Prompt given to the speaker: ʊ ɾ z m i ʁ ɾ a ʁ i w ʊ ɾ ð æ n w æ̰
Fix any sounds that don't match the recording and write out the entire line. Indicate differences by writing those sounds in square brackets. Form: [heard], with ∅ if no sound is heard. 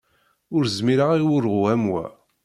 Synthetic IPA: ʊ ɾ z m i [∅] ɾ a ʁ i w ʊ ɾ [ʁ] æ [m] w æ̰

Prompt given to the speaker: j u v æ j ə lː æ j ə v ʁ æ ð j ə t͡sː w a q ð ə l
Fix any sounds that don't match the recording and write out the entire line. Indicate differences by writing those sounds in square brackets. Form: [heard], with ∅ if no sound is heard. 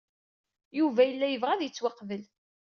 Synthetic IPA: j u v æ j ə lː æ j ə v ʁ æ ð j ə t͡sː w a q [v] ə l

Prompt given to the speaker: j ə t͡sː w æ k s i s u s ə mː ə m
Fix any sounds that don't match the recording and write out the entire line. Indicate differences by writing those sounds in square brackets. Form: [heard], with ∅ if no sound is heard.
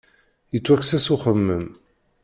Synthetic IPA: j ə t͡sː w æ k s [æ] s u [χ] ə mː ə m

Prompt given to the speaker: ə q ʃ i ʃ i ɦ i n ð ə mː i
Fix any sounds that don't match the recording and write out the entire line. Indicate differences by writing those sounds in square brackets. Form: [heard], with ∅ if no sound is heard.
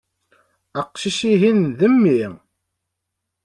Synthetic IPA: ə q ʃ i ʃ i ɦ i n ð ə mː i

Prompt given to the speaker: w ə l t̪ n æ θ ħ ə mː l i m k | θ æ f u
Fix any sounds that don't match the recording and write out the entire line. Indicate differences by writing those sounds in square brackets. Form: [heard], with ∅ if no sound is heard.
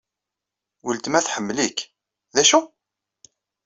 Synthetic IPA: w ə l t̪ [m] æ θ ħ ə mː l i [∅] k | [ð] æ [ʃ] u

